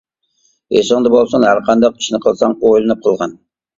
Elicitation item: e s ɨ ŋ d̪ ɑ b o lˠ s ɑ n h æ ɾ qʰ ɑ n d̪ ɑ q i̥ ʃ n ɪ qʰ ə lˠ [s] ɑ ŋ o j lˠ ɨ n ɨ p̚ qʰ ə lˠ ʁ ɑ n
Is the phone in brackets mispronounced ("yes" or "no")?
no